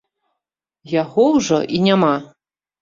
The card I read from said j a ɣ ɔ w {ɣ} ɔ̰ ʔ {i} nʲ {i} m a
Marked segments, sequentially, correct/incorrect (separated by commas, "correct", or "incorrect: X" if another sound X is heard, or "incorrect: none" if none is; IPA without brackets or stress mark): incorrect: ʐ, correct, incorrect: a